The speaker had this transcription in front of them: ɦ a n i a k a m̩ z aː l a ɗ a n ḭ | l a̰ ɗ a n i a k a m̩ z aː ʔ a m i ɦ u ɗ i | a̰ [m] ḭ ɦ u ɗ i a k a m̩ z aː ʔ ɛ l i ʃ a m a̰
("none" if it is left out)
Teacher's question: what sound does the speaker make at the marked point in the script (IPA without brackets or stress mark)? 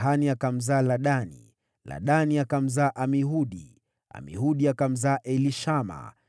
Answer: m